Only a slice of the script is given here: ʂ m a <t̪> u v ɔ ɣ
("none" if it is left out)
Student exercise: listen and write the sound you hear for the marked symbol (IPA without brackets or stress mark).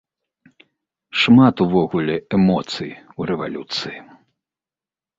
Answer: t̪